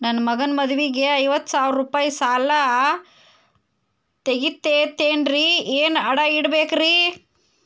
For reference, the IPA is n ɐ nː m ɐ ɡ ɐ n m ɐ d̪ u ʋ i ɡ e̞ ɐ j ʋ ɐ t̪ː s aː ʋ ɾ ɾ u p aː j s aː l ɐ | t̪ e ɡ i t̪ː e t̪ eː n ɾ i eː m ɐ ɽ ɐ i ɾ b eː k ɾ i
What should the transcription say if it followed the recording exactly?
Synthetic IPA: n ɐ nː m ɐ ɡ ɐ n m ɐ d̪ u ʋ i ɡ e̞ ɐ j ʋ ɐ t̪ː s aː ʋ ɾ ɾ u p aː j s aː l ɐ | t̪ e ɡ i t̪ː e t̪ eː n ɾ i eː n ɐ ɽ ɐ i ɽ b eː k ɾ i